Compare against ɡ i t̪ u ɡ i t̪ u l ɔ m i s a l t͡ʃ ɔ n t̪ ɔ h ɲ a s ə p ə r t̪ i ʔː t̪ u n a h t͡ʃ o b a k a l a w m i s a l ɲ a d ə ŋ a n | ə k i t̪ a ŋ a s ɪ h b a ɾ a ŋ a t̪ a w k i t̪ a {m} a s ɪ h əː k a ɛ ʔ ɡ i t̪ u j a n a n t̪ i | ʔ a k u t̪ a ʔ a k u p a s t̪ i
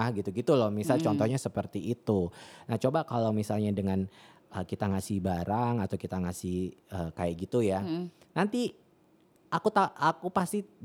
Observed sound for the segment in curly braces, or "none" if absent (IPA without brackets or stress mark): ŋ